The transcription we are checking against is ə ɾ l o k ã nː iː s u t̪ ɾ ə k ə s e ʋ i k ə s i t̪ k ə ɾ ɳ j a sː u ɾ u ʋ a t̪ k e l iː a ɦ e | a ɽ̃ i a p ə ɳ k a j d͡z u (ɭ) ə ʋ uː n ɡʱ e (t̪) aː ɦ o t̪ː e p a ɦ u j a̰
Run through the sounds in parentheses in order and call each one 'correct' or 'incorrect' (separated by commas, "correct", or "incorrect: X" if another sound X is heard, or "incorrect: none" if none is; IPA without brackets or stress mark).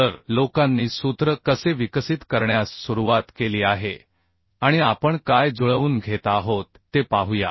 correct, correct